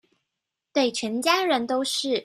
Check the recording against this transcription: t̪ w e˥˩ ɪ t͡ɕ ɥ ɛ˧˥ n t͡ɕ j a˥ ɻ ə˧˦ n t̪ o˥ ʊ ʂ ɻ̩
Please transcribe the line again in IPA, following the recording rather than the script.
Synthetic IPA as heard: t̪ w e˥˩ ɪ t͡ɕʰ ɥ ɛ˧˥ n t͡ɕ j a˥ ɻ ə˧˦ n t̪ o˥ ʊ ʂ ɻ̩